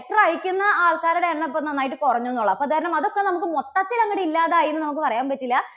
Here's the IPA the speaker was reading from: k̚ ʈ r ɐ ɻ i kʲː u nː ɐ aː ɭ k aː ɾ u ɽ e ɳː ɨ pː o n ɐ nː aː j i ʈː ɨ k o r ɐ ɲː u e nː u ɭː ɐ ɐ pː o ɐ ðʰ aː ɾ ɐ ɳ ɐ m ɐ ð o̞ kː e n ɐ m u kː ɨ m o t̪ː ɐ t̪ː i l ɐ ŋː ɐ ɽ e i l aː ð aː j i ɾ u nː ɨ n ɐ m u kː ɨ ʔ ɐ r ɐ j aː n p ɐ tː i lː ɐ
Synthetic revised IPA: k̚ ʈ r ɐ ɻ i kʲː u nː ɐ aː ɭ k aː ɾ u ɽ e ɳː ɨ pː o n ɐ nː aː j i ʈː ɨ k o r ɐ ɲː u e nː u ɭː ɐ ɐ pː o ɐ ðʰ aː ɾ ɐ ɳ ɐ m ɐ ð o̞ kː e n ɐ m u kː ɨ m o t̪ː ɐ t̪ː i l ɐ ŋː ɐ ɽ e i lː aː ð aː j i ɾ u nː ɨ n ɐ m u kː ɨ p ɐ r ɐ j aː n p ɐ tː i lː ɐ